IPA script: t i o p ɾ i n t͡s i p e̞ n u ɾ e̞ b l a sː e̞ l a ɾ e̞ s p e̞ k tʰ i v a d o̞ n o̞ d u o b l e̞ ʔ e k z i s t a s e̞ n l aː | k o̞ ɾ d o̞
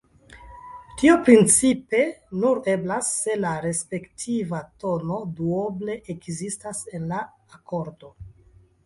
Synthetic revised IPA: t i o p ɾ i n t͡s i p e̞ n u ɾ e̞ b l a sː e̞ l a ɾ e̞ s p e̞ k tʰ i v a t o̞ n o̞ d u o b l e̞ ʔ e k z i s t a s e̞ n l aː | k o̞ ɾ d o̞